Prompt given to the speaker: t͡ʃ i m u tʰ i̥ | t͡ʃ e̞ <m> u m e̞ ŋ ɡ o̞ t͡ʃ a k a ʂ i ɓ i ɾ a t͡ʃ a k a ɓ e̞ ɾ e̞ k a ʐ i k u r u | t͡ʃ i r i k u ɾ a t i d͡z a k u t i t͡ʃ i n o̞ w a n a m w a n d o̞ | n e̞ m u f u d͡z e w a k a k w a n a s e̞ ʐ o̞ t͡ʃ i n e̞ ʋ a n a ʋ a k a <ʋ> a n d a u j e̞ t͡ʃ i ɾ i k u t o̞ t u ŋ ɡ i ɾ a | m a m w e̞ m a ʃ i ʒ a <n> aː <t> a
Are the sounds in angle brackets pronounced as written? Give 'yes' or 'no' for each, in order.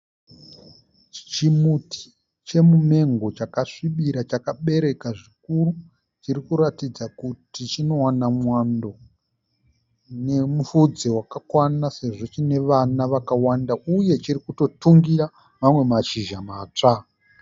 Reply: yes, no, no, no

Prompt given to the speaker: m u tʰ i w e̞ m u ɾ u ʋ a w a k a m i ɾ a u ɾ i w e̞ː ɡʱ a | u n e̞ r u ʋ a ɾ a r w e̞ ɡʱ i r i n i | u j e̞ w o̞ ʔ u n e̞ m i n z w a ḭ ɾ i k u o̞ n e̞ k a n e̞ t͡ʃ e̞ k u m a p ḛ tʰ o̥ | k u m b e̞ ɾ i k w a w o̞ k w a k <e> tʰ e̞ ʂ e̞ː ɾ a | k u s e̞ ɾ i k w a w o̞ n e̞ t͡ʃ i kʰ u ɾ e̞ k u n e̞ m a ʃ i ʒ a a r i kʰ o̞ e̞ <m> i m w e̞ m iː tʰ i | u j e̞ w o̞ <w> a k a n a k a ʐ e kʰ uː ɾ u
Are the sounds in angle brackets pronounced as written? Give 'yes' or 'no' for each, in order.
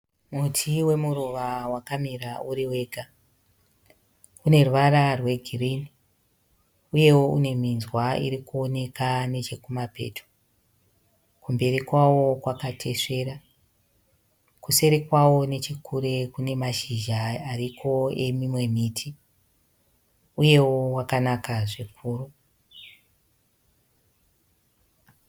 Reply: no, yes, yes

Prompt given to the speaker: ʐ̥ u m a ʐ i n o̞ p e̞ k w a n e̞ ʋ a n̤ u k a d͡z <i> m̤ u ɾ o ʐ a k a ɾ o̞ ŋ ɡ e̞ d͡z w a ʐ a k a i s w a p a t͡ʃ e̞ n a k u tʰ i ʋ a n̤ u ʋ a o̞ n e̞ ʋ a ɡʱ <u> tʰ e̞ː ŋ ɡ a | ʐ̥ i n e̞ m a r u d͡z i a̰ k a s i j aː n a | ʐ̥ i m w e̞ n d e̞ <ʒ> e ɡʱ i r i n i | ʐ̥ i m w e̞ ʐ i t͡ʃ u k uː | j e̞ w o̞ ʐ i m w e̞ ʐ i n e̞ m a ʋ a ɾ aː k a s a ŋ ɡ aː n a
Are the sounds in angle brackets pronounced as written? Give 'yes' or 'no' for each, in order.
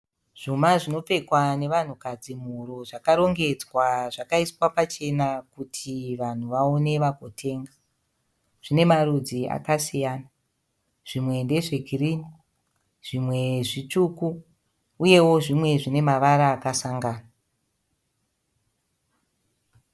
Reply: yes, no, no

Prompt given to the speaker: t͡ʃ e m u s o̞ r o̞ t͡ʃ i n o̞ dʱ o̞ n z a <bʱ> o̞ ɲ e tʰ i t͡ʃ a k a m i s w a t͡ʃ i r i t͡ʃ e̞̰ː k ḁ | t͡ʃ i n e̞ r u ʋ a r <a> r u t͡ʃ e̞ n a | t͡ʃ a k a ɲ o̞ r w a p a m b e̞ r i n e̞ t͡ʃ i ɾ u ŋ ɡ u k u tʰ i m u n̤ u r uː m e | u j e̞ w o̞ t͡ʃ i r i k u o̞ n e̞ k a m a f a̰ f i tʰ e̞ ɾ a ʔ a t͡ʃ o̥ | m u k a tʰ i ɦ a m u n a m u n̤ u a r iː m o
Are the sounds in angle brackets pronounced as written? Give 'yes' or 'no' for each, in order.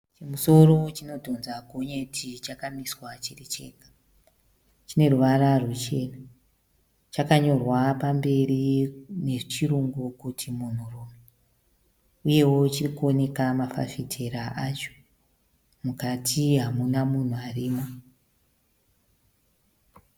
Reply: no, yes

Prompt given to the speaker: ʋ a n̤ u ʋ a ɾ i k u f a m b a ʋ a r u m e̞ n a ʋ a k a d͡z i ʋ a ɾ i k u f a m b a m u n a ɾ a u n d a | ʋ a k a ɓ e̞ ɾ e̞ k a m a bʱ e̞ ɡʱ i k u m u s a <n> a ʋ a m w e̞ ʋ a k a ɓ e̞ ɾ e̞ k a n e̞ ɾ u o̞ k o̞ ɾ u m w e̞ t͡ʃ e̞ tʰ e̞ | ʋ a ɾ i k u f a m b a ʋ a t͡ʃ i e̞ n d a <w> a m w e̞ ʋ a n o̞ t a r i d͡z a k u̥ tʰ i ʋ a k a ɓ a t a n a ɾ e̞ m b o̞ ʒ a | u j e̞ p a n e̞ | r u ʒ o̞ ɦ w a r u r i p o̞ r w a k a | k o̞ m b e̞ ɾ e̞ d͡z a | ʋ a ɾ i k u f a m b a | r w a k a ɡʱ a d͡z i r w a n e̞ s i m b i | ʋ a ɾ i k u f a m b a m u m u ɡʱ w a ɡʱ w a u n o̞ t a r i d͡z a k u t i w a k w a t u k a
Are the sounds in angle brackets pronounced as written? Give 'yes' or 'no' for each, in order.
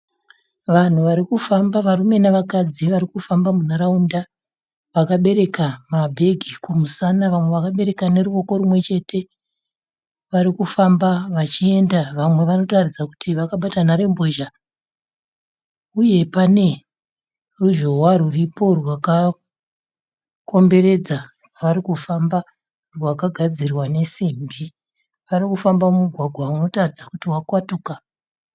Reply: yes, no

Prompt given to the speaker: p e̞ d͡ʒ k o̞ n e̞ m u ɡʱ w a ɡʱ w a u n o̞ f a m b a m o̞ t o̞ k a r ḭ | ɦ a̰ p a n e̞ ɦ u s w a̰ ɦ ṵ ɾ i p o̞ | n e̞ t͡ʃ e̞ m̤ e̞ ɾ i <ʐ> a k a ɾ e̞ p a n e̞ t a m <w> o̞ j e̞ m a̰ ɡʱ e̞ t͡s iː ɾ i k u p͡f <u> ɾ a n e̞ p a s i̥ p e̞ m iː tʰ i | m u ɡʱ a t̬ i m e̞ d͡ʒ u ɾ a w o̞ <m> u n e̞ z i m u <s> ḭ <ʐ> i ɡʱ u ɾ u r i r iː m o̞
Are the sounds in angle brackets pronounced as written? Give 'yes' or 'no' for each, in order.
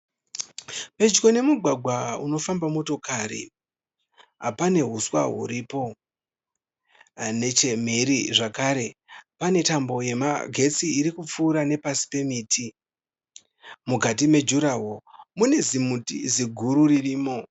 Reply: yes, no, no, yes, no, no

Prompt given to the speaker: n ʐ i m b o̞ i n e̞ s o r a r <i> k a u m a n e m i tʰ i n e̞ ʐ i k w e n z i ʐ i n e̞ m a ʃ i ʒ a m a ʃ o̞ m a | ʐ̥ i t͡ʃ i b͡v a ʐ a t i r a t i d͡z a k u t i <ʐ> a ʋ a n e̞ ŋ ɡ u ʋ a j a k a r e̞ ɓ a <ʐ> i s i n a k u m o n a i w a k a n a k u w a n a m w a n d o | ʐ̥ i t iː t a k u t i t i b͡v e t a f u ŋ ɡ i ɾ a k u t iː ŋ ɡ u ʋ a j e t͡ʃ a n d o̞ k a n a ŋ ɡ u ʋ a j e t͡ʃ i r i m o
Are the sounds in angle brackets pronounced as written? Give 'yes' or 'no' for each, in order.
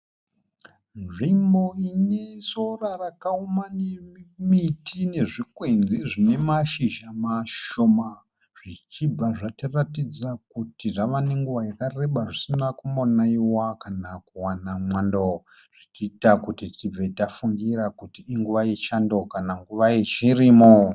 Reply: no, yes, yes

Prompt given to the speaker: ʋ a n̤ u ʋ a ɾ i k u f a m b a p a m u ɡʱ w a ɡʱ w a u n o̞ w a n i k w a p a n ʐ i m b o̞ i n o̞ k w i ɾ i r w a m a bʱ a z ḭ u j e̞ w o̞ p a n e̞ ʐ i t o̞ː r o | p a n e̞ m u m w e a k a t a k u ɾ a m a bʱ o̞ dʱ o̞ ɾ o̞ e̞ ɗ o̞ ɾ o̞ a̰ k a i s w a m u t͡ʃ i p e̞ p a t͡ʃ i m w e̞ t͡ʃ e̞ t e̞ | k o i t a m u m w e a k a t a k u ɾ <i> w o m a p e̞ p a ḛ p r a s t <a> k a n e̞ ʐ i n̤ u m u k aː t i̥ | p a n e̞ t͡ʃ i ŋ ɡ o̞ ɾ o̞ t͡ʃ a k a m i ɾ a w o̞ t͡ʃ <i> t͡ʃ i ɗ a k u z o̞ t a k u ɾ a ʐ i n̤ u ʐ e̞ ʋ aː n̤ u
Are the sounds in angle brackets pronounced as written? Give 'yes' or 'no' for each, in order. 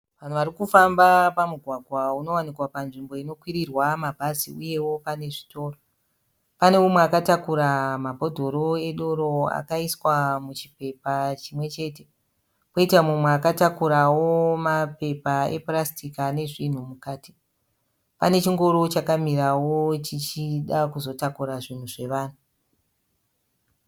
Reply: no, no, yes

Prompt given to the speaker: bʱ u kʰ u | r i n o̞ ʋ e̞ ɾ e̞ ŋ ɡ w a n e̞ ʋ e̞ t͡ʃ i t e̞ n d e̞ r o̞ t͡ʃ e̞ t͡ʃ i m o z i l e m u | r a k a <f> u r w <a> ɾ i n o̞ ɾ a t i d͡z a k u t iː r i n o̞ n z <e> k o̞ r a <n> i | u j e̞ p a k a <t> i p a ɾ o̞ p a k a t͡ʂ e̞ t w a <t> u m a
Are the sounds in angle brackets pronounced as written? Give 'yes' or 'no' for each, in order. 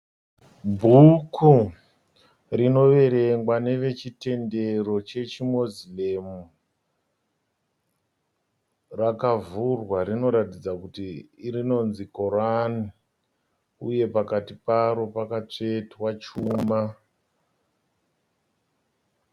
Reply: no, yes, no, yes, yes, no

